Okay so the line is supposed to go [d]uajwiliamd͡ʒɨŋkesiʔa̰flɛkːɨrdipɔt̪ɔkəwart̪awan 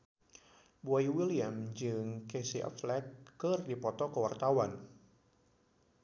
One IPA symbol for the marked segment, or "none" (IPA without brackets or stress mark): b